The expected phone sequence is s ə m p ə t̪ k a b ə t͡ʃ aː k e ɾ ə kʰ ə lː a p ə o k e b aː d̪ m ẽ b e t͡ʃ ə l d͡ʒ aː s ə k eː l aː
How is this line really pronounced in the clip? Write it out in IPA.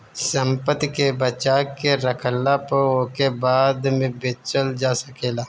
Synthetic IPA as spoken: s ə m p ə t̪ k e b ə t͡ʃ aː k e ɾ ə kʰ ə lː a p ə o k e b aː d̪ m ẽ b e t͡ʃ ə l d͡ʒ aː s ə k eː l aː